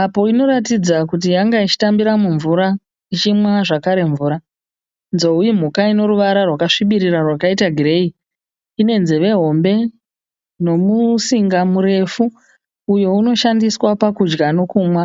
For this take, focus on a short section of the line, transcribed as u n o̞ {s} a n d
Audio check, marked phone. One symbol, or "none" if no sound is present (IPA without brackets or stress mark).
ʃ